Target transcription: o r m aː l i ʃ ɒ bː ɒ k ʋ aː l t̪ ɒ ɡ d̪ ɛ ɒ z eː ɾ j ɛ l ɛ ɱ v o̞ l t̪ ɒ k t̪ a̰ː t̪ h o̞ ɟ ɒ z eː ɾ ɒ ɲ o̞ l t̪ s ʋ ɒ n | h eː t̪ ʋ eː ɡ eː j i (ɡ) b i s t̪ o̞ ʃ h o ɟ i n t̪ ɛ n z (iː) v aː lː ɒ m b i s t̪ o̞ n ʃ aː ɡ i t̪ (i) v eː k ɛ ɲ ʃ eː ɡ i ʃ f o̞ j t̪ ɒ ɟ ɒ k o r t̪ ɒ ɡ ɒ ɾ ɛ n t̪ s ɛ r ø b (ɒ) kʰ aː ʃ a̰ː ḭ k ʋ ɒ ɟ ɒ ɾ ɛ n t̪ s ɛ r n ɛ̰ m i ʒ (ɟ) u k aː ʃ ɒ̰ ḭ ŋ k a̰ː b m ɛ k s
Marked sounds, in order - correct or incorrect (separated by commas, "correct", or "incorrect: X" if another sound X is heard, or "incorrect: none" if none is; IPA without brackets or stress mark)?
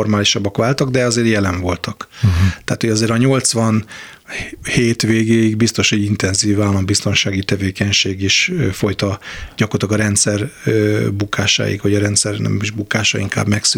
correct, correct, incorrect: ɛ, incorrect: u, incorrect: b